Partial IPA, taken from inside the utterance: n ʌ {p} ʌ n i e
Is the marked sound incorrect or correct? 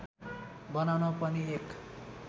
correct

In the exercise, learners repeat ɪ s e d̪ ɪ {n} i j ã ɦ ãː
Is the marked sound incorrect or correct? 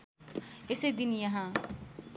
correct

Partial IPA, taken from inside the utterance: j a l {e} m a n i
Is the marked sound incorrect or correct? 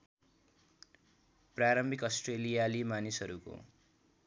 incorrect: i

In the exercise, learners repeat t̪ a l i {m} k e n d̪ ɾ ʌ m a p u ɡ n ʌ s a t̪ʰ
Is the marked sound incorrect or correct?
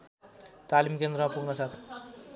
correct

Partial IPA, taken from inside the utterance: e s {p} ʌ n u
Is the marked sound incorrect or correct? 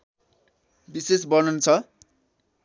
incorrect: b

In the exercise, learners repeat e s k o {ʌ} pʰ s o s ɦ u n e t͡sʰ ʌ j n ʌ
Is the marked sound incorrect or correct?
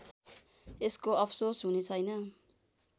correct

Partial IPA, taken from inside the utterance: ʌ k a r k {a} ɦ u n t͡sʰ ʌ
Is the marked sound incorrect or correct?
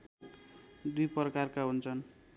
correct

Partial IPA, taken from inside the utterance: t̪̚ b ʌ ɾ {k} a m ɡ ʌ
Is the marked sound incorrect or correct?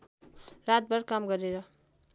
correct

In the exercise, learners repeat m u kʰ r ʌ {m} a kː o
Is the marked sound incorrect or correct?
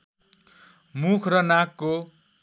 incorrect: n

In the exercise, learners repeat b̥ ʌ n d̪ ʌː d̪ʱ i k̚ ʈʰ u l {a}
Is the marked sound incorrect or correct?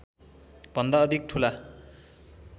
correct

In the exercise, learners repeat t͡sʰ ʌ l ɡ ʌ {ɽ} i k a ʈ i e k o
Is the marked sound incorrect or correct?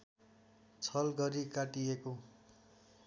incorrect: ɾ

